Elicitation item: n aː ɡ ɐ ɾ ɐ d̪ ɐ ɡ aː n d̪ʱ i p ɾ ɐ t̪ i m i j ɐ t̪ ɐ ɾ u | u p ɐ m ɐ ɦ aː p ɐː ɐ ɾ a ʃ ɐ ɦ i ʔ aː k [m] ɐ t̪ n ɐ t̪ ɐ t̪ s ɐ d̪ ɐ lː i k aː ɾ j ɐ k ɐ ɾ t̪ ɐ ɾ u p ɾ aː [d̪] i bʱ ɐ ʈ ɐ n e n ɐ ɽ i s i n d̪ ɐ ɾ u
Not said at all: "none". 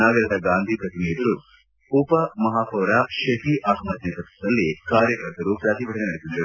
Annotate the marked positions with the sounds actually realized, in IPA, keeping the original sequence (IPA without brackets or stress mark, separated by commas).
m, t̪